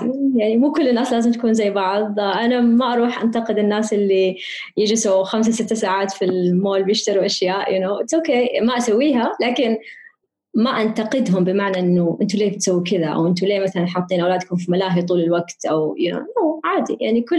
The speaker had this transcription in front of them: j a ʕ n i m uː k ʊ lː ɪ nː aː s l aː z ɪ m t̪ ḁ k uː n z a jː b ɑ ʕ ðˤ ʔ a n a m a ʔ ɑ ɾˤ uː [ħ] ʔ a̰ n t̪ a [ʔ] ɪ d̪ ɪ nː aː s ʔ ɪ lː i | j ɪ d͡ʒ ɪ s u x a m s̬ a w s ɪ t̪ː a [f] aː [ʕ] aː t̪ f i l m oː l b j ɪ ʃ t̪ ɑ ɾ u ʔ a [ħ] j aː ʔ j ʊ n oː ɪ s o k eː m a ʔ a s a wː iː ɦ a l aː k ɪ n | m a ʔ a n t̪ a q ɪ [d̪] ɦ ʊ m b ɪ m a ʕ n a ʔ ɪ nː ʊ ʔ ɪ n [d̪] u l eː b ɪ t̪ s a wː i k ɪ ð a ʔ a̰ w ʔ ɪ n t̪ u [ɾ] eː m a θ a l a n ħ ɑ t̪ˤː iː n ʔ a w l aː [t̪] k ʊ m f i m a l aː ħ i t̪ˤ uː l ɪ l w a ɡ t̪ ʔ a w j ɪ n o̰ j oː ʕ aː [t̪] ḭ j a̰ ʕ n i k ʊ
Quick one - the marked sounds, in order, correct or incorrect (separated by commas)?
correct, incorrect, incorrect, correct, incorrect, correct, incorrect, incorrect, incorrect, incorrect